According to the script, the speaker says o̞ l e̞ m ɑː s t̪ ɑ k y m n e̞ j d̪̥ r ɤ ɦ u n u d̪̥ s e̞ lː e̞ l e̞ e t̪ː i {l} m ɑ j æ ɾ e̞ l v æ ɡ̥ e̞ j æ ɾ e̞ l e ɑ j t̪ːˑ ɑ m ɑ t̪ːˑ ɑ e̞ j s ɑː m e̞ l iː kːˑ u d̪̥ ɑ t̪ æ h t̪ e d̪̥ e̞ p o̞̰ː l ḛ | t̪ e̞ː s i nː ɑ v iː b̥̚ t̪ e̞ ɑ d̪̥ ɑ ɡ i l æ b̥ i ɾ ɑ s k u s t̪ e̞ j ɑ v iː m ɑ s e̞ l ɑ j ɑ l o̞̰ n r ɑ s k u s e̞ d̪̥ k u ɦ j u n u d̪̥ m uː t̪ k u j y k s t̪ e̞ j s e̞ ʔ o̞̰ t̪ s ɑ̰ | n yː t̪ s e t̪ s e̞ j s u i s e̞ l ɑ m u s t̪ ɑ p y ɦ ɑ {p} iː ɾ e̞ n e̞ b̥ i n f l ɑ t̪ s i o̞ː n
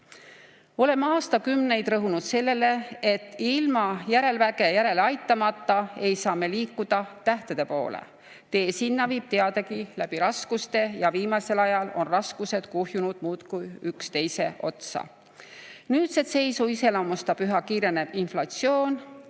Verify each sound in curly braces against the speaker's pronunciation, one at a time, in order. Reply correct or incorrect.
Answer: correct, incorrect: k

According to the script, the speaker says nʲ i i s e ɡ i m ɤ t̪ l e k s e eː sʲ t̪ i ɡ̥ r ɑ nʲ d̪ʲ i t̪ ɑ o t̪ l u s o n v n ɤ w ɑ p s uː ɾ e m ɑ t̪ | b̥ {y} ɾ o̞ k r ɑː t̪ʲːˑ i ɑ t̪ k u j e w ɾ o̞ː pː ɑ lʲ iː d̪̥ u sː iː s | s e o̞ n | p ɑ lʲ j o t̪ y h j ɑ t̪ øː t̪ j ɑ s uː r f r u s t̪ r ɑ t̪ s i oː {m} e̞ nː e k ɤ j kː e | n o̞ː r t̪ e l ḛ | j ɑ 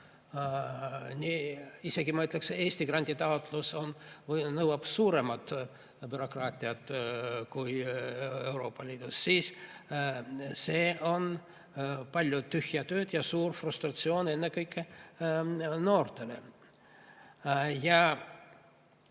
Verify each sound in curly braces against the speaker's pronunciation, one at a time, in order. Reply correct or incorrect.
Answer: correct, incorrect: n

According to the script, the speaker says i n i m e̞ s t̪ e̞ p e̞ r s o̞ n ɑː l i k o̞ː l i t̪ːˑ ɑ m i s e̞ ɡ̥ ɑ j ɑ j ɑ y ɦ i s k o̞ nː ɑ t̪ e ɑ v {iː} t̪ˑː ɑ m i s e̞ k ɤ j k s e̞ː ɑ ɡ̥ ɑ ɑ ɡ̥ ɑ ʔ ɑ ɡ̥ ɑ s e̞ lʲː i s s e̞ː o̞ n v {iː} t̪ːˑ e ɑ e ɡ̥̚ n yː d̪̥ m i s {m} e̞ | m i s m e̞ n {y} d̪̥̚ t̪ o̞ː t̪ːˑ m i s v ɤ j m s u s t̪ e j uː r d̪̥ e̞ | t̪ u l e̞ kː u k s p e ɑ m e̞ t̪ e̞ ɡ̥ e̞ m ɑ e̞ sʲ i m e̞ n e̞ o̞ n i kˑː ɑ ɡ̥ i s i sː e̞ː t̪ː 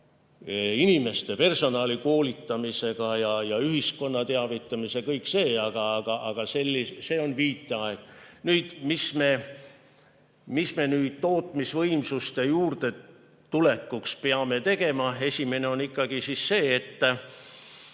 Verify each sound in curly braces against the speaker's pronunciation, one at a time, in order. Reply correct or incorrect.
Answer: incorrect: i, correct, correct, incorrect: yː

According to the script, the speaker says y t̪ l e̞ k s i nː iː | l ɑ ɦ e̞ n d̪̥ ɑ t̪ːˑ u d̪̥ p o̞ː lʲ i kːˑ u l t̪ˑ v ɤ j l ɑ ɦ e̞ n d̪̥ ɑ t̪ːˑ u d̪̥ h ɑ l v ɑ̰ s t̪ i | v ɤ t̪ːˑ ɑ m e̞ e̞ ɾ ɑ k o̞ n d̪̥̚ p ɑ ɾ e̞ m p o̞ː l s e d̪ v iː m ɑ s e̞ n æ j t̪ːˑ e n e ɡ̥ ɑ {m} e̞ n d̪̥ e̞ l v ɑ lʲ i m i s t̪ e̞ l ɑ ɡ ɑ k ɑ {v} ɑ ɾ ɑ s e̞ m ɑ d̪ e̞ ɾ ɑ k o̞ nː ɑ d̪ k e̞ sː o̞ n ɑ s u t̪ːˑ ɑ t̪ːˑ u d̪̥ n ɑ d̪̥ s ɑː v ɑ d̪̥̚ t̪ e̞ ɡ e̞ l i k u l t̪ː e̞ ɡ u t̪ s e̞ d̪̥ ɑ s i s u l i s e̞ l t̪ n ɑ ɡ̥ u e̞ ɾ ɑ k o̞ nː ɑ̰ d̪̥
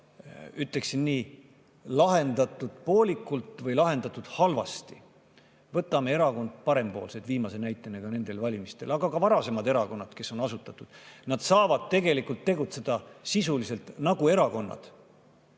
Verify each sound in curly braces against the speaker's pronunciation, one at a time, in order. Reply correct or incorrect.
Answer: incorrect: n, correct

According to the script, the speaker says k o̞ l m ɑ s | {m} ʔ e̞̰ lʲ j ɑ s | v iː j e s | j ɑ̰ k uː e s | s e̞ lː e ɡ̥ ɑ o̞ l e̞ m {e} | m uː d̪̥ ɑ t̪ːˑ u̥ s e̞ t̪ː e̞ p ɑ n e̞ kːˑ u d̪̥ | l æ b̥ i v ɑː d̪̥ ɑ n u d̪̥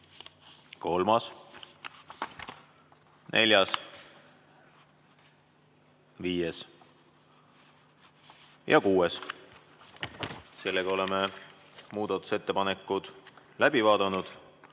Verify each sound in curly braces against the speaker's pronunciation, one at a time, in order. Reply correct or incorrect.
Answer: incorrect: n, correct

